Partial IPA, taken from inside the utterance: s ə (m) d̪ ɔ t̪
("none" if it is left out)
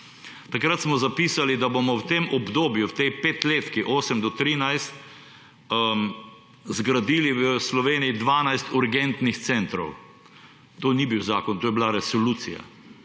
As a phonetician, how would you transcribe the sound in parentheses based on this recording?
m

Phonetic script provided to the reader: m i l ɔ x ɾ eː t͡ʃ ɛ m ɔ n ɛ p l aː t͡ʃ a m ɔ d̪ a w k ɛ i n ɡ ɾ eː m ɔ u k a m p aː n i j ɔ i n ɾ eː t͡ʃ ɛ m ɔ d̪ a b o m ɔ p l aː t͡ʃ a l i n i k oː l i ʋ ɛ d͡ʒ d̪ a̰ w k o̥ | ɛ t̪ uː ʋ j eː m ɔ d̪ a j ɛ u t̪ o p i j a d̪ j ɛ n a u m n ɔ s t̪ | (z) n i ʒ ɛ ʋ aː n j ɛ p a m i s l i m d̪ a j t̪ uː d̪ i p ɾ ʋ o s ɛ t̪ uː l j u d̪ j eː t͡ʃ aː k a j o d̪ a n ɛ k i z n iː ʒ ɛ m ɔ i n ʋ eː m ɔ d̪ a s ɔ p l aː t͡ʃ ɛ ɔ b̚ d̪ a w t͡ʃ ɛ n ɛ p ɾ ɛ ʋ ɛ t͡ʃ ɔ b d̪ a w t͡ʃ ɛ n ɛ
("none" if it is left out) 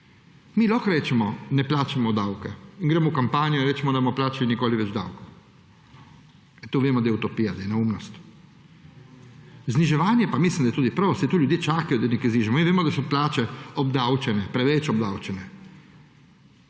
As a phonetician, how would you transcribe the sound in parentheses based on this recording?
z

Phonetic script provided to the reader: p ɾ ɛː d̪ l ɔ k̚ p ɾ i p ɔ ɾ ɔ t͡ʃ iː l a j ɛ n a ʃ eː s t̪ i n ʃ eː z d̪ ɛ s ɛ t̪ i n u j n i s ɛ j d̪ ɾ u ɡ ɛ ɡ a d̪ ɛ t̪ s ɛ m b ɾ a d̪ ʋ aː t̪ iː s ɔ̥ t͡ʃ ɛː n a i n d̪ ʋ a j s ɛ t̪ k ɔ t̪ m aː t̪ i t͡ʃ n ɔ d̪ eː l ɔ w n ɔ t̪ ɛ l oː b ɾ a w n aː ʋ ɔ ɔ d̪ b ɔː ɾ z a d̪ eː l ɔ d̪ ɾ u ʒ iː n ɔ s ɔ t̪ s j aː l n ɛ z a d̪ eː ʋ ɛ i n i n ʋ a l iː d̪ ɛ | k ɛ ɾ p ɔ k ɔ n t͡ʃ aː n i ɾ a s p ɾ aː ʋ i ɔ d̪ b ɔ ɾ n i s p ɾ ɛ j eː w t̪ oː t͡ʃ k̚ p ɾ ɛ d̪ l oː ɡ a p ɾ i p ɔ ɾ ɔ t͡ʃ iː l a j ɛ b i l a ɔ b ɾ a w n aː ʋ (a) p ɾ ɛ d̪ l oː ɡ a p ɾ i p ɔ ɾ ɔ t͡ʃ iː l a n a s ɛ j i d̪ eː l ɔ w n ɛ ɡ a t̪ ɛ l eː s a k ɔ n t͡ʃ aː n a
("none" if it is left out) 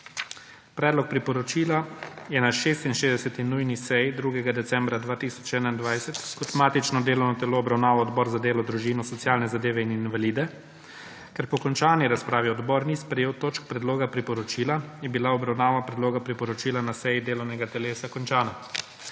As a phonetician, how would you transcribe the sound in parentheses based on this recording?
a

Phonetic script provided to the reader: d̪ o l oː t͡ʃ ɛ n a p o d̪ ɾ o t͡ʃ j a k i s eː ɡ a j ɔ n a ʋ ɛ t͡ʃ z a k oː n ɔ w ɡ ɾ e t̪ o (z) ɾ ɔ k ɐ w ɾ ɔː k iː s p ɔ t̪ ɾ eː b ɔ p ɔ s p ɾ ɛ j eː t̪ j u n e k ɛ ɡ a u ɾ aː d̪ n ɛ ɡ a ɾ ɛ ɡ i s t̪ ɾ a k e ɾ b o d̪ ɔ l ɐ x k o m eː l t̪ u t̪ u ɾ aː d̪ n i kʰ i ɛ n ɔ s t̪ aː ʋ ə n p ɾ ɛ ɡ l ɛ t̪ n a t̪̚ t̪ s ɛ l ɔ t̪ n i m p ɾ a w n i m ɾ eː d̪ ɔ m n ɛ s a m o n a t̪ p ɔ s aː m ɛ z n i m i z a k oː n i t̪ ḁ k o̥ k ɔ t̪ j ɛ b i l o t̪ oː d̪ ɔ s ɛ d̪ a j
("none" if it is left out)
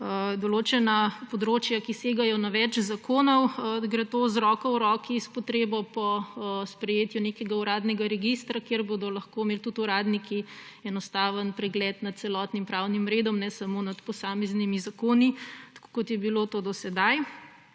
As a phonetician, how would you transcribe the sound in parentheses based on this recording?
z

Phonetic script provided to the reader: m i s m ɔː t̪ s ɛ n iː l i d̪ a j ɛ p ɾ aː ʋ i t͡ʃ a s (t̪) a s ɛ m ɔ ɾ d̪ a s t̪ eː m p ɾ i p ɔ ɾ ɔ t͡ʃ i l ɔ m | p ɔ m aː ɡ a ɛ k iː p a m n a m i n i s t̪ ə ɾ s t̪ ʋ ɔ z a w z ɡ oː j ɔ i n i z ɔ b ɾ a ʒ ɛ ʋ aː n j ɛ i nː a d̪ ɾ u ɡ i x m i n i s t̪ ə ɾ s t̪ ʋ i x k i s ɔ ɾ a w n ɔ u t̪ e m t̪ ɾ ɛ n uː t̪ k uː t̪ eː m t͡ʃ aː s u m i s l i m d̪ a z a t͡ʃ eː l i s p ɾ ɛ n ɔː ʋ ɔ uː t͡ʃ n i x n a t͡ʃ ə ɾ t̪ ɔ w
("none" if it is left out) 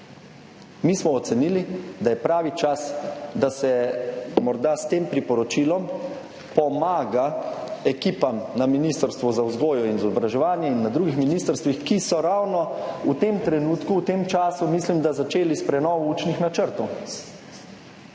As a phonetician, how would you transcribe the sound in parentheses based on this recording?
d̪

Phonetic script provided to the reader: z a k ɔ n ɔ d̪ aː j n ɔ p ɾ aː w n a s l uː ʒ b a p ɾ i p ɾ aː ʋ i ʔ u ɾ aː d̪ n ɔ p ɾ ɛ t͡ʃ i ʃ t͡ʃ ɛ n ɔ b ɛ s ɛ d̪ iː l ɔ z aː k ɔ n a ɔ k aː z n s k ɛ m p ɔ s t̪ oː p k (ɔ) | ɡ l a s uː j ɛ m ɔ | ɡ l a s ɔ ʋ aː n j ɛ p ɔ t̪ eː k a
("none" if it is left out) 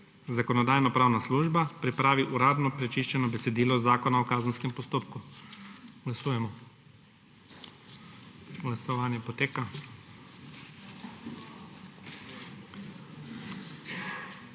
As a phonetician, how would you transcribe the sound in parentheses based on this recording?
u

